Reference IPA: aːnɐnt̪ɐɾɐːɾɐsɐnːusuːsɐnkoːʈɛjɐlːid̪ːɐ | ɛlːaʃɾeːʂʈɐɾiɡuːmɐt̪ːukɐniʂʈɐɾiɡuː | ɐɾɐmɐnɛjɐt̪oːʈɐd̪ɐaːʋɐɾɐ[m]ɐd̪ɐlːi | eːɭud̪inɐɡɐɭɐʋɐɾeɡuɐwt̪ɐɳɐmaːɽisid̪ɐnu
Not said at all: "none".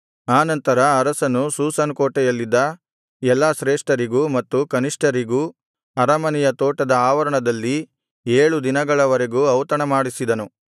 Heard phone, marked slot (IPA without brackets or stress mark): ɳ